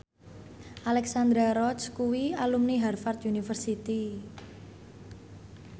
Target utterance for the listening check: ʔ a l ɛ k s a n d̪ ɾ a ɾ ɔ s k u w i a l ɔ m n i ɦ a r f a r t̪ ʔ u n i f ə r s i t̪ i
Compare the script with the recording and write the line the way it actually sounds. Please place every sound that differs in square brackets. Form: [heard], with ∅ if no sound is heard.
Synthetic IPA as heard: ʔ a l ɛ k s a n d̪ ɾ a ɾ ɔ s k u w i a l [u] m n i ɦ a r f a r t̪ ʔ u n i f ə r s i t̪ i